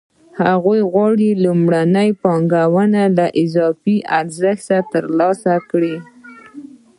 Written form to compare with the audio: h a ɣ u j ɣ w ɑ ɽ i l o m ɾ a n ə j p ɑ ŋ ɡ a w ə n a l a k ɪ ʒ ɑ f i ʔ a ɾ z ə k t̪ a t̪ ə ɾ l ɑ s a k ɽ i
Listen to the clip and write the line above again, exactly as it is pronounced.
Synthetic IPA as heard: h a ɣ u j ɣ w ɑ ɽ i l u m ɽ a n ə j p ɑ ŋ ɡ a w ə n a l a ʔ ɪ z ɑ f i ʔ a ɾ z ə x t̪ a t̪ ə ɾ l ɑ s a k ɽ i